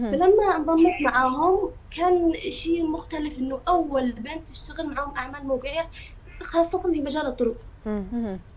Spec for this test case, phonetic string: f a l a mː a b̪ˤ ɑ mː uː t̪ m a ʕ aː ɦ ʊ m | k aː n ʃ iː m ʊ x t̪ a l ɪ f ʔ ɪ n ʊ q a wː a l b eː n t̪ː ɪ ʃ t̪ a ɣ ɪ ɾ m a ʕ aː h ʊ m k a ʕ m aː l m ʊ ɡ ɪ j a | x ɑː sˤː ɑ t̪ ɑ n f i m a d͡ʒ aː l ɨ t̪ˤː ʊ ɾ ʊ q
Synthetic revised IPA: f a l a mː a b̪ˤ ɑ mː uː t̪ m a ʕ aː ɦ ʊ m | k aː n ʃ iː m ʊ x t̪ a l ɪ f ʔ ɪ nː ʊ ʔ a wː a l b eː n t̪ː ɪ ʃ t̪ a ɣ ɪ l m a ʕ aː h ʊ m ʔ a ʕ m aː l m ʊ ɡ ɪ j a | x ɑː sˤː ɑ t̪ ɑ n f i m a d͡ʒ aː l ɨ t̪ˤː ʊ ɾ ʊ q